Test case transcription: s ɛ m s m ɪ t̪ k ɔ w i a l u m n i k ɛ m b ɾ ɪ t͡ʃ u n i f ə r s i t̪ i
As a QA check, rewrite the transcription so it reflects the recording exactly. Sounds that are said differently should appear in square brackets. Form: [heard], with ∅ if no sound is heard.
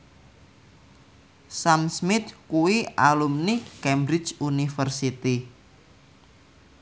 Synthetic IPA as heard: s [a] m s m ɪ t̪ k [u] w i a l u m n i k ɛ m b ɾ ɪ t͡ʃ u n i f ə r s i t̪ i